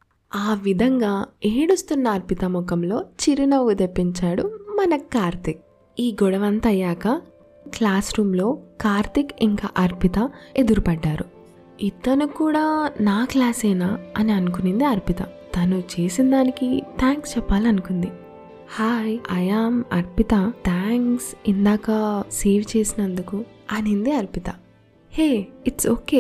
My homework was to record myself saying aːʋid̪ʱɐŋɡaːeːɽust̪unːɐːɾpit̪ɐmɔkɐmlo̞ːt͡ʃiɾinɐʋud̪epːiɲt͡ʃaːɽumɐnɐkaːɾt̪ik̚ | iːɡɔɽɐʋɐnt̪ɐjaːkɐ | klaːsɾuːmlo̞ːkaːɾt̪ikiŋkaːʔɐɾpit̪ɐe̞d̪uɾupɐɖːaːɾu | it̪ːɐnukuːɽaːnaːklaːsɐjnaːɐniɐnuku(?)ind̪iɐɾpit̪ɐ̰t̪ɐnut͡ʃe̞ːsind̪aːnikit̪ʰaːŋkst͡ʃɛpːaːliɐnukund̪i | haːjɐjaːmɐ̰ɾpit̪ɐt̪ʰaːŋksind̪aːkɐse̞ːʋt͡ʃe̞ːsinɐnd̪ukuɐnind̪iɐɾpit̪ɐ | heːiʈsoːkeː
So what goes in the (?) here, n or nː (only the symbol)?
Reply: n